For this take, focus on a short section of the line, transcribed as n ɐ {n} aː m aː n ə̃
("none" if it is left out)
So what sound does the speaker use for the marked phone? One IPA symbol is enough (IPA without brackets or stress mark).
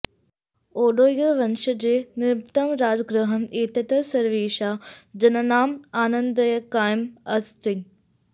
n